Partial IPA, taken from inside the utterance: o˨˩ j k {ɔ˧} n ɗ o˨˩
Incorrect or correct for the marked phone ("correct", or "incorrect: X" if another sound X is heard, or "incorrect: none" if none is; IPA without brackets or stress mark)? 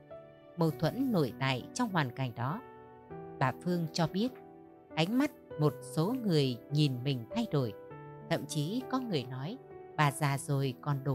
incorrect: ɔ˨˩